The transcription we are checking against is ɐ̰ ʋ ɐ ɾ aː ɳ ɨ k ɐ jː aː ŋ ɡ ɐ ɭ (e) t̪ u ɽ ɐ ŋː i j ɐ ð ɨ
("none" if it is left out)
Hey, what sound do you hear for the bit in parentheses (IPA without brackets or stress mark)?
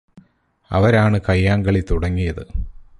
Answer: i